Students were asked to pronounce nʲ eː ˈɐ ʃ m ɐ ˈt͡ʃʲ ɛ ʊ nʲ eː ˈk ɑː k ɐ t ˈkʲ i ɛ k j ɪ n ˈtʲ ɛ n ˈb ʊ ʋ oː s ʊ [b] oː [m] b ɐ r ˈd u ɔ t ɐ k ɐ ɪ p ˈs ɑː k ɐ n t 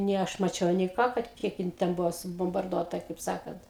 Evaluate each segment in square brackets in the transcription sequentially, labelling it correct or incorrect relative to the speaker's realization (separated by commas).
correct, correct